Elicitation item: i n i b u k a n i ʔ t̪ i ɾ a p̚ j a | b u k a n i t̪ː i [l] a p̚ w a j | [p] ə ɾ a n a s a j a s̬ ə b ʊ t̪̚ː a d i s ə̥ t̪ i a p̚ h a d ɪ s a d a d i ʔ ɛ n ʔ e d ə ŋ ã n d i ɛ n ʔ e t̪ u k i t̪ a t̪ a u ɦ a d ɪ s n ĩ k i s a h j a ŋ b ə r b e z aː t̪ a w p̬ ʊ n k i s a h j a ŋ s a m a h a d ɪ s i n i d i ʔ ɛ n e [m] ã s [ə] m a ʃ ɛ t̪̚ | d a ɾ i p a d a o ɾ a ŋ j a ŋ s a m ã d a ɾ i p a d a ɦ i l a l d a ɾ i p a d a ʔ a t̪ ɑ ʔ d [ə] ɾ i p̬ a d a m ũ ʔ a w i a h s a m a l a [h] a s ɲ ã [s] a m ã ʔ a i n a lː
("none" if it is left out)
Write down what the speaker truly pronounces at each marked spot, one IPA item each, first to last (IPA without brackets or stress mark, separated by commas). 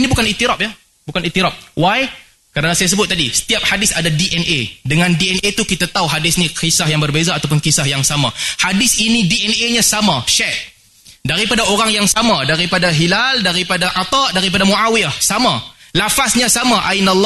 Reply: ɾ, k, ɲ, a, a, f, s